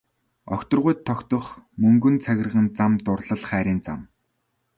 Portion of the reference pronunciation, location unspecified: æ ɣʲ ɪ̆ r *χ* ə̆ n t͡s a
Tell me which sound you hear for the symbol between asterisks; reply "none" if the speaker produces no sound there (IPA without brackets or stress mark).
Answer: ʁ